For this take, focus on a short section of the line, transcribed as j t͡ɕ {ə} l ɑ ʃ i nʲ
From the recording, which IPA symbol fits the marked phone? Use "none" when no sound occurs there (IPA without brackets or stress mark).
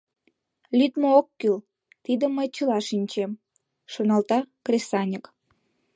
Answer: ə